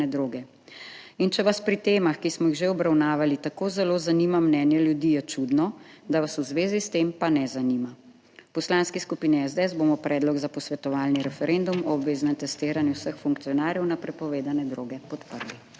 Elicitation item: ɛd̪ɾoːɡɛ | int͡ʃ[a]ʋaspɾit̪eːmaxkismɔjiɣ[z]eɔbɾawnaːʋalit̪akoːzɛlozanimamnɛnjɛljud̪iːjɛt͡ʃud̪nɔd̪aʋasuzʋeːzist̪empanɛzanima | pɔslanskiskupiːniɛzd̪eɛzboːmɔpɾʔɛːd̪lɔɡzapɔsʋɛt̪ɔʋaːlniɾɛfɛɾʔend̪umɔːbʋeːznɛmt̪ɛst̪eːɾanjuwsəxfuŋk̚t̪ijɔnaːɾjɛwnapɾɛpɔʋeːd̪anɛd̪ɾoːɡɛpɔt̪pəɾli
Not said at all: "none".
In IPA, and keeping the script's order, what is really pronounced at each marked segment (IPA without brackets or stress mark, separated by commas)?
ɛ, ʒ